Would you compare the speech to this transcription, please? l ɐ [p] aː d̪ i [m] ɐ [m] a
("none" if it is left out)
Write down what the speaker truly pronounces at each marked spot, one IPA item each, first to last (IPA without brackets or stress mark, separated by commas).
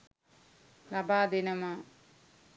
b, n, m